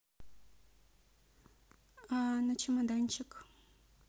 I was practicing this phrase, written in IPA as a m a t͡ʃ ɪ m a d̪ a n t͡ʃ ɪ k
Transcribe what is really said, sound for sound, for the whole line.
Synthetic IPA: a n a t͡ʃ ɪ m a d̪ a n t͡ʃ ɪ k